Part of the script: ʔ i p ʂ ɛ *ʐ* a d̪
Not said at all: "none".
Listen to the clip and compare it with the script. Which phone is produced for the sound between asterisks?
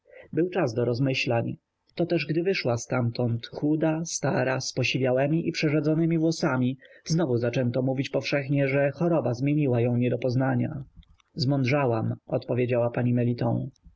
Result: ʐ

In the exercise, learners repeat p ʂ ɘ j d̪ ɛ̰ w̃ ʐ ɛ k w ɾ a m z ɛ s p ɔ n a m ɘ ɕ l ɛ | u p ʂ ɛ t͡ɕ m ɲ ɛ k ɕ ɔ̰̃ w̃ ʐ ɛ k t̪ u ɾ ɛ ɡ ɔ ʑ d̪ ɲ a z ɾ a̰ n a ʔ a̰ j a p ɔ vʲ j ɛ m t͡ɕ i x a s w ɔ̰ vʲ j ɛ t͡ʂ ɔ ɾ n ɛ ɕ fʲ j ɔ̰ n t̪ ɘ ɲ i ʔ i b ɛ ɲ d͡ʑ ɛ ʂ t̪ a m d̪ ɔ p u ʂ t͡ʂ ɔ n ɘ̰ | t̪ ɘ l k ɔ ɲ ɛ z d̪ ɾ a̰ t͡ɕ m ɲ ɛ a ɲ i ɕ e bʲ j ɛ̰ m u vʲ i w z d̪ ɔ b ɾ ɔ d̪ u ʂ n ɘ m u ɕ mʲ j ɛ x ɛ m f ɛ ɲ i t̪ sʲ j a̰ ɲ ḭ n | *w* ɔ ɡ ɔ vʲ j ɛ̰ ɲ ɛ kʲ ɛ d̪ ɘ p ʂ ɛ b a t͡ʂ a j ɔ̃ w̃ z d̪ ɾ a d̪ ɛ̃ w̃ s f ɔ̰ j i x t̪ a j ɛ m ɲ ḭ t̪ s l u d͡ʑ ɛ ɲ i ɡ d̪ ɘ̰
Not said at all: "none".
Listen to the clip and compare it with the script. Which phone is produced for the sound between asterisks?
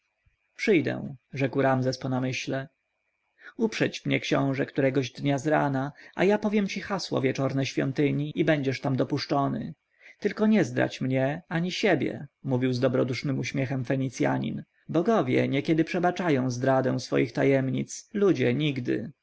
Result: b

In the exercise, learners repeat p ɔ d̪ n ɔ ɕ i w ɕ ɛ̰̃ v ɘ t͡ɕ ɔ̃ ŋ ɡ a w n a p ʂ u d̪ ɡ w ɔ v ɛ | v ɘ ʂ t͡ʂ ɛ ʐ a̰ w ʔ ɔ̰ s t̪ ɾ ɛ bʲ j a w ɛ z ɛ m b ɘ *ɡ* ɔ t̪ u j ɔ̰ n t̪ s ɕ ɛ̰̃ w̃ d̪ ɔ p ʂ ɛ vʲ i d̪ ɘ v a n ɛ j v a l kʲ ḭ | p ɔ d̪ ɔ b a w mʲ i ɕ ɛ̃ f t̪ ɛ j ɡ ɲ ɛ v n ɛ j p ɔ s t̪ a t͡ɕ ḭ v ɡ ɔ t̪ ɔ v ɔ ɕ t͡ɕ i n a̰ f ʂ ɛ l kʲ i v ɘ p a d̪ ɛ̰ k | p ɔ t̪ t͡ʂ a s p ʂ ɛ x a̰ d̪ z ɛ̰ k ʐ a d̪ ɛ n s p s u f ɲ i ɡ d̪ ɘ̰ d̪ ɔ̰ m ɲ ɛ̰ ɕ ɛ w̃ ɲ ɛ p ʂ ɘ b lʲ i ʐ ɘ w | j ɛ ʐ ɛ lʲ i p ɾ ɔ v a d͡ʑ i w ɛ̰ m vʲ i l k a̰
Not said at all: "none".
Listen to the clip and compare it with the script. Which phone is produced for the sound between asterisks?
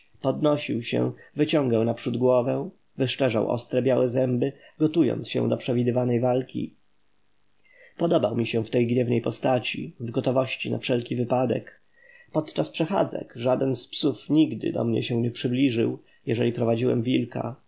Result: ɡ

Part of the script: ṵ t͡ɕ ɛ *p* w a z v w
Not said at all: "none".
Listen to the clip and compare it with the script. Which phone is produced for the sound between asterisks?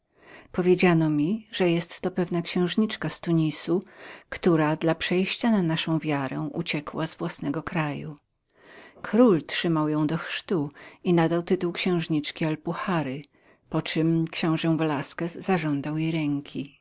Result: k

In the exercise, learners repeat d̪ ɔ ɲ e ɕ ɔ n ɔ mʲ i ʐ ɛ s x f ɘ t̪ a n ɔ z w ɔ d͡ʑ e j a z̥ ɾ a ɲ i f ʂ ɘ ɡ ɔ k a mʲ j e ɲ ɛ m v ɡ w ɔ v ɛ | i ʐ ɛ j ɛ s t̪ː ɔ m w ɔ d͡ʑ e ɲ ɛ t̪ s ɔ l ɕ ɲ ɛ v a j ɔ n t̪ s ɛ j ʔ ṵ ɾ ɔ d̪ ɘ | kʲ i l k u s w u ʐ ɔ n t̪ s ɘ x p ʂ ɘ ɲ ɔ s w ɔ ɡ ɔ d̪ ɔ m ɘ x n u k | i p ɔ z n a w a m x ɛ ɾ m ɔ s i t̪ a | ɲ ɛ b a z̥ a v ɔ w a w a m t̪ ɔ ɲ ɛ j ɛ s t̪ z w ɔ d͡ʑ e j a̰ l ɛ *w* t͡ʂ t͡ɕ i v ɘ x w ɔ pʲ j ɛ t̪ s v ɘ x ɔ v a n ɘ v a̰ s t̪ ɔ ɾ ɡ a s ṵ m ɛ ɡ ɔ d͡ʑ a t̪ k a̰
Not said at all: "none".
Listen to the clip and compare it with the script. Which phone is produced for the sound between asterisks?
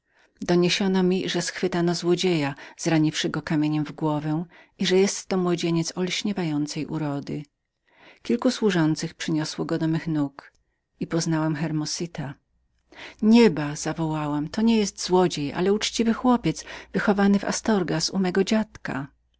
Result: u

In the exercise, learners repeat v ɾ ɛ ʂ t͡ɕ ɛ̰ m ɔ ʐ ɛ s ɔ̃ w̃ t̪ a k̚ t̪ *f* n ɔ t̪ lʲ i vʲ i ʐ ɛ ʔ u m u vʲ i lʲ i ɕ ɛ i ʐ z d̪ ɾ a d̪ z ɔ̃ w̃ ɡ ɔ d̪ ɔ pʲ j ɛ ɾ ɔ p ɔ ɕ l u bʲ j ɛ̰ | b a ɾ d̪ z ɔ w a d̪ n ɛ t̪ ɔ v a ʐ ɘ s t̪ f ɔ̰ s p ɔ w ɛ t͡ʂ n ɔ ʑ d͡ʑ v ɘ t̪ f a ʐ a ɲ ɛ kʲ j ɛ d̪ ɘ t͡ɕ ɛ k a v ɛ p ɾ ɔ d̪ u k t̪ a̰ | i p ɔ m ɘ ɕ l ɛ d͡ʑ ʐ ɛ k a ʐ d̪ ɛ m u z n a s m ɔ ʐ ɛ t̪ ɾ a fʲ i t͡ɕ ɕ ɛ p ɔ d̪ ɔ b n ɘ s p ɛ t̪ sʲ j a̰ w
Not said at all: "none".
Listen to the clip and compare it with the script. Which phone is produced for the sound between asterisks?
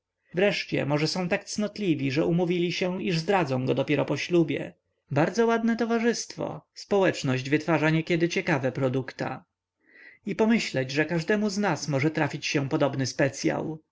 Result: s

